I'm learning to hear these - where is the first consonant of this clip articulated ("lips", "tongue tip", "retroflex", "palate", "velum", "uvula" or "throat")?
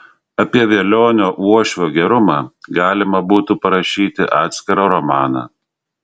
lips